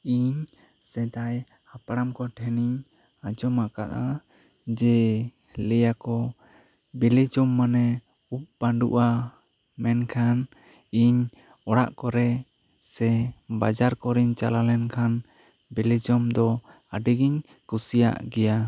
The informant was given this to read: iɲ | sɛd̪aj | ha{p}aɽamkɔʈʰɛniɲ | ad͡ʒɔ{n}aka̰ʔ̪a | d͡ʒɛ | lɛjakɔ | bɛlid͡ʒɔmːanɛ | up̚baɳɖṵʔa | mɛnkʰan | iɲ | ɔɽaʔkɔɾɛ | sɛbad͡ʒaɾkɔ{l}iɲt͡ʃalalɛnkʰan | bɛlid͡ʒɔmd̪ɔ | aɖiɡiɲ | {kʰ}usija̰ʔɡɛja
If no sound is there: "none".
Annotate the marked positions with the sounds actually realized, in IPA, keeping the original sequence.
p, m, ɾ, k

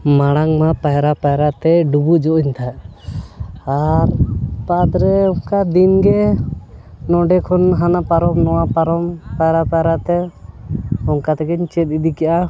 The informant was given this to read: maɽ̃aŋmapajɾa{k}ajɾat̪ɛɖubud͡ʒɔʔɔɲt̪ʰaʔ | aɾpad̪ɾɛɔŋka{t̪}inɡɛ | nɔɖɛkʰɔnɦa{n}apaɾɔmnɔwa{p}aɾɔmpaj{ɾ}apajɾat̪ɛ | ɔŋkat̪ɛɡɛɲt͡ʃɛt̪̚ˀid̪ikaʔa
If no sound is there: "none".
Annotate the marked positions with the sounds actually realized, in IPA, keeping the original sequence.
p, d̪, n, p, ɾ

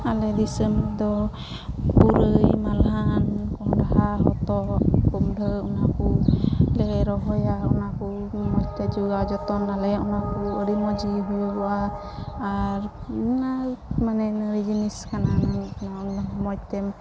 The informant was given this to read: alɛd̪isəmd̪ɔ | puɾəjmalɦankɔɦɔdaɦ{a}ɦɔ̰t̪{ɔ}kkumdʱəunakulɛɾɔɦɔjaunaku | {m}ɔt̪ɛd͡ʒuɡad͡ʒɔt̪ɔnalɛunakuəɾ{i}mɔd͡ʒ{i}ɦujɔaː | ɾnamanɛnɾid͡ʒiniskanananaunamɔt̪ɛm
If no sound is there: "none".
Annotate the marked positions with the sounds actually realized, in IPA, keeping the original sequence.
a, ɔ, m, i, i

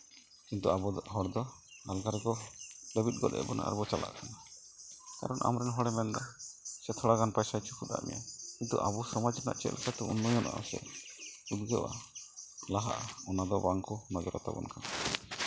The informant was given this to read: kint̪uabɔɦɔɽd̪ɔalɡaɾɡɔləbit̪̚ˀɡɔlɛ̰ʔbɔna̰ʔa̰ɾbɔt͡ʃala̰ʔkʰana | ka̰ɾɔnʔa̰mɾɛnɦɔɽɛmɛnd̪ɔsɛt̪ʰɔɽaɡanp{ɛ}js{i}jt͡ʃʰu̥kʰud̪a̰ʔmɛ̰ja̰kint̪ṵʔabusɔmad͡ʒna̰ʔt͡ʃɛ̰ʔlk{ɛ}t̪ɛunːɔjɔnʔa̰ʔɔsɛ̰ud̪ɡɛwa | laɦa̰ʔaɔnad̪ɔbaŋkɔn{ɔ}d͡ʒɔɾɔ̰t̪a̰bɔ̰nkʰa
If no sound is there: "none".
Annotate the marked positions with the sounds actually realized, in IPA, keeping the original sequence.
a, a, a, ɔ

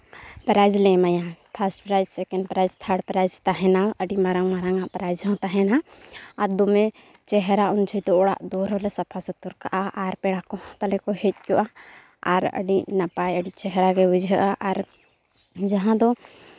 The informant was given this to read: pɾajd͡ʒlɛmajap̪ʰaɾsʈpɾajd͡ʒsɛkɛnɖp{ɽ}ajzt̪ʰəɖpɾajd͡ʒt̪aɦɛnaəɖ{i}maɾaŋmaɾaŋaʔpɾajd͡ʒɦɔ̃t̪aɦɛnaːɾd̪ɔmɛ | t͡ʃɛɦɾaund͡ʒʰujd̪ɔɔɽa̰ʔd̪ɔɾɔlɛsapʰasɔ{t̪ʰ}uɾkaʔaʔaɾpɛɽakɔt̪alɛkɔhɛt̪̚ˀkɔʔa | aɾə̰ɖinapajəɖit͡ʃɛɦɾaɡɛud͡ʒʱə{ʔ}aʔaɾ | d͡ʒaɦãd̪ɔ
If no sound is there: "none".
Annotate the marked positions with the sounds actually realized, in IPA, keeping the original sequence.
ɾ, i, t̪, ʔ

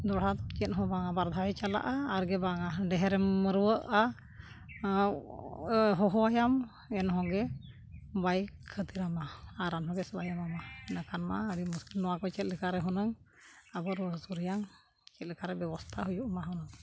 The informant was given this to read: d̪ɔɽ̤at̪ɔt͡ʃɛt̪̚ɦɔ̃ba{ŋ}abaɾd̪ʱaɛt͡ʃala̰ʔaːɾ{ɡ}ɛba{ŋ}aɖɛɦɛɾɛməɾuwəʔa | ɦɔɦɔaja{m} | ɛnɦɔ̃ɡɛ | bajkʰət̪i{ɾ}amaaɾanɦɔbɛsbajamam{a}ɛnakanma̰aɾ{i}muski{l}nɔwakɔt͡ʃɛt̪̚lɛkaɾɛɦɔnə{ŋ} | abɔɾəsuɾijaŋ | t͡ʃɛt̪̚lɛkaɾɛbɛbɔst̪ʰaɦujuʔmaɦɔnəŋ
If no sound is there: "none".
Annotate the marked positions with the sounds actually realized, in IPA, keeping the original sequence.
ŋ, ɡ, ŋ, m, ɾ, a, i, l, ŋ

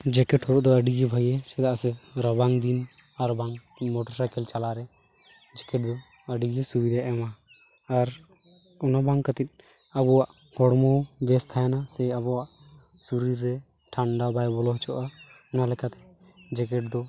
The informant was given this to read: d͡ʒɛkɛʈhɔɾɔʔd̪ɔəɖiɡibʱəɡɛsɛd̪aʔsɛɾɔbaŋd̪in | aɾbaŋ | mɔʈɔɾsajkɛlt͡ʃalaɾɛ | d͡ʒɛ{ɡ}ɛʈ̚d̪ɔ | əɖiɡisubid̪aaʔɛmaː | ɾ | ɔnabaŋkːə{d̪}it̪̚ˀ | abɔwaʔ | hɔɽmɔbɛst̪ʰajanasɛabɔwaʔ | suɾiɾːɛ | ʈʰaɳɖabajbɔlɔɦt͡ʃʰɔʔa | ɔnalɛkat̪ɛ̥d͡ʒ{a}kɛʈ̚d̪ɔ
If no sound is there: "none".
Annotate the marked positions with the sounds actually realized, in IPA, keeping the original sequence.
k, t̪, ɛ

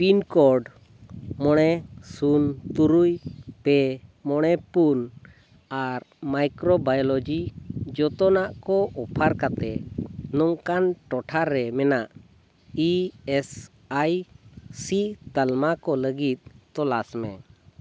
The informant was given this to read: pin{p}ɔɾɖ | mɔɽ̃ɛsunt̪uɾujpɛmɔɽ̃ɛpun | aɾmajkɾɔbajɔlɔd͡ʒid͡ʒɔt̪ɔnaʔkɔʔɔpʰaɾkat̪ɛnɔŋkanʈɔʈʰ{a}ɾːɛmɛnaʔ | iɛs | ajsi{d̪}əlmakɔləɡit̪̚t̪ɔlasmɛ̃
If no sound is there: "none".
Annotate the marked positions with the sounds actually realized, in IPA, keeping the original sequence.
k, a, t̪

